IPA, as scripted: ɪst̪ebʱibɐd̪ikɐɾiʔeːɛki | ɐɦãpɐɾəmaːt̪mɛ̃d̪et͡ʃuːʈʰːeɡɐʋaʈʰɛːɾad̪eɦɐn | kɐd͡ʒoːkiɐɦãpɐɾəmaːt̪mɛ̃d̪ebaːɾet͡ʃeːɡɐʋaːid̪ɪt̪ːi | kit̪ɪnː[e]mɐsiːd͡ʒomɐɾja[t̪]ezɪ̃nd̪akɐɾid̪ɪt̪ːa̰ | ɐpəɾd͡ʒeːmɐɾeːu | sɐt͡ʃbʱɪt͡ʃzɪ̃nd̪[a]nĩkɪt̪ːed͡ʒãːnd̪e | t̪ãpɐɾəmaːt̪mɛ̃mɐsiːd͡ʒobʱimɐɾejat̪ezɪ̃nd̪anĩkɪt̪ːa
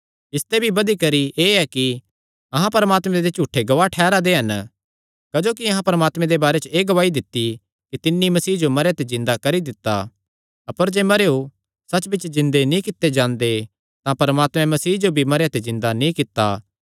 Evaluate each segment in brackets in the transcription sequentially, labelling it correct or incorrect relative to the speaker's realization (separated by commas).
incorrect, correct, incorrect